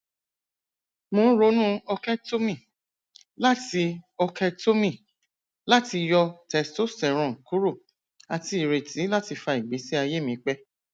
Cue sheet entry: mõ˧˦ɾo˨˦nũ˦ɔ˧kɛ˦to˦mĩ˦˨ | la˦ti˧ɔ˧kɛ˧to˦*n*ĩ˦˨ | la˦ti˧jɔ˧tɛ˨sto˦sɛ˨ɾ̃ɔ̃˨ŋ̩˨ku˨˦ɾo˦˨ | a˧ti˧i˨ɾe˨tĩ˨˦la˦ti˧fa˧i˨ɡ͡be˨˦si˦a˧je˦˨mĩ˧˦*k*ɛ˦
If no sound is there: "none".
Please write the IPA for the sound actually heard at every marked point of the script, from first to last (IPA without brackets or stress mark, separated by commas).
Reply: m, k͡p